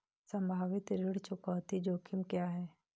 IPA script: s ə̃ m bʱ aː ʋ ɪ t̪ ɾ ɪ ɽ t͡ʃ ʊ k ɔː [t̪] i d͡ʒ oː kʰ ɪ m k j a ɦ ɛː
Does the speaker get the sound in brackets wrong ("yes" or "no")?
no